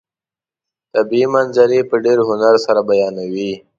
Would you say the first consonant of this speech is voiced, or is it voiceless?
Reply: voiceless